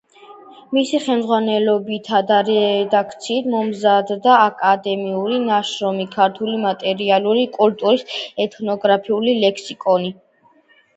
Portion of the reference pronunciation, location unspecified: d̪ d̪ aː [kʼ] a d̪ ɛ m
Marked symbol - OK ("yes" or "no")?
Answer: yes